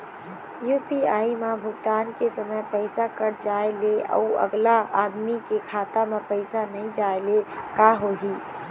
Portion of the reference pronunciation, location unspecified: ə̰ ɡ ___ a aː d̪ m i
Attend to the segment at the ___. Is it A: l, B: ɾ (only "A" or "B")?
A